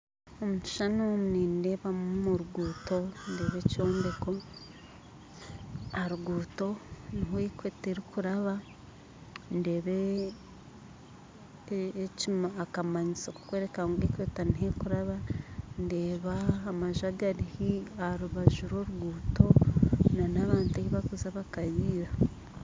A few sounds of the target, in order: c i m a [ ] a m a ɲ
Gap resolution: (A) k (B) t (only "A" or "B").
A